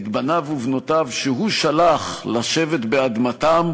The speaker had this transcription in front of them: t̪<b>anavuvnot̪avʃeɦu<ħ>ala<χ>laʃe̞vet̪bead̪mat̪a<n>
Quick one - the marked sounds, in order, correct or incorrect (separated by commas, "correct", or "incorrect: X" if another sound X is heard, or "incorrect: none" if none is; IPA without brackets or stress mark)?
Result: correct, incorrect: ʃ, correct, incorrect: m